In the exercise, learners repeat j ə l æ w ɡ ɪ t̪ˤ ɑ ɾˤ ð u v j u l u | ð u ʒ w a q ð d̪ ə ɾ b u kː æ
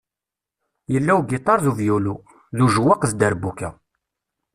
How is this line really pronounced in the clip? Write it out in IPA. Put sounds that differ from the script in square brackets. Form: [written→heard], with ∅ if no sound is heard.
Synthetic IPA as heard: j ə [l→lː] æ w ɡ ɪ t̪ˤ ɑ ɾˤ ð u v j u l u | ð u ʒ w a q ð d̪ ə ɾ b u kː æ